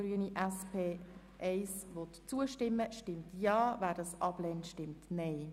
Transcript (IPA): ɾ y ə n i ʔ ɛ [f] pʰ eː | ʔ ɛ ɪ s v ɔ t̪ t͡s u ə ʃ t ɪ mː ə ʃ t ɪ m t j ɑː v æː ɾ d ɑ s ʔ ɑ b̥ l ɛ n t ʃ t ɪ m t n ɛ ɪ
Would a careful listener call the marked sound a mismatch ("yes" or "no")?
yes